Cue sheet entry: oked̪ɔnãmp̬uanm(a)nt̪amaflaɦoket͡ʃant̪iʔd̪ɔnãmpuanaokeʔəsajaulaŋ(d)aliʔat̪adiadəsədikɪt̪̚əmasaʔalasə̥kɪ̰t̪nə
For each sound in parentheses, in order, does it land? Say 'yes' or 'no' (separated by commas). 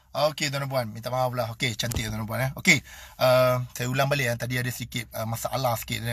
no, no